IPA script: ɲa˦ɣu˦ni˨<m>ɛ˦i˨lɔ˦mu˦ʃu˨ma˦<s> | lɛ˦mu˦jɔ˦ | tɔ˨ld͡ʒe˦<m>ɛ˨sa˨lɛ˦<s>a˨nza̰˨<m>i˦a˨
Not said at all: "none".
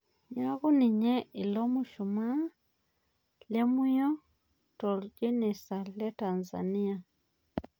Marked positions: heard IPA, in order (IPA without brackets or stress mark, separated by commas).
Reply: ɲ, none, n, t, n